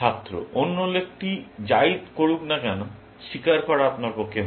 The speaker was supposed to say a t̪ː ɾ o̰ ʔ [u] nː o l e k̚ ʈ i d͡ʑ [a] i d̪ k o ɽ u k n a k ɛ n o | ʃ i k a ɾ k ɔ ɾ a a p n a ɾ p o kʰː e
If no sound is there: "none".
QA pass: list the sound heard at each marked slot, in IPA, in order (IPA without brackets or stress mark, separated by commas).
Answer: o, a